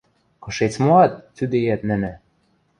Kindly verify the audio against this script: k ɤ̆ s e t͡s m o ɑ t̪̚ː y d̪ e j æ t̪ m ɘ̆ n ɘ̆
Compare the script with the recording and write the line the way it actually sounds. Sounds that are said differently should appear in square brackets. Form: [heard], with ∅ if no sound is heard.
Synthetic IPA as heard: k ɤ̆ [ʃ] e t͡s m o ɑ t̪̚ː y d̪ e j æ t̪ [n] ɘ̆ n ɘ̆